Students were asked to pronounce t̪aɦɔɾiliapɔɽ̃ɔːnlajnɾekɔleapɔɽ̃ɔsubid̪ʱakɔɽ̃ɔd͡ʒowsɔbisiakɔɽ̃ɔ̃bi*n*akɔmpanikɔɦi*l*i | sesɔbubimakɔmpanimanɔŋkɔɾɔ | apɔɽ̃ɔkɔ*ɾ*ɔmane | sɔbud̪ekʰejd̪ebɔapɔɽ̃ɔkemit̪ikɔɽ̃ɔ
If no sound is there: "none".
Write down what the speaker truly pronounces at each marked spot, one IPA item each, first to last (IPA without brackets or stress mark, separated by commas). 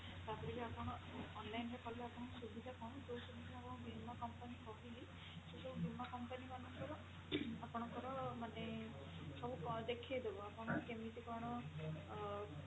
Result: m, l, ɾ